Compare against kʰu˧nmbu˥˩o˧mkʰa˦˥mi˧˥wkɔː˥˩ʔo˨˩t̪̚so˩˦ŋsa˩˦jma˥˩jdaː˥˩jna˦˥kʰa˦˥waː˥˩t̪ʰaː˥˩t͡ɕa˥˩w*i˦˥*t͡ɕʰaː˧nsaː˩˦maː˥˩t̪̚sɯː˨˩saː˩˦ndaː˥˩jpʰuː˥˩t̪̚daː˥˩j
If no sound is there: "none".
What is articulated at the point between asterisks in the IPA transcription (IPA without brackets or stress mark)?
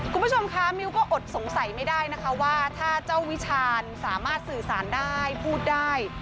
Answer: i˦˥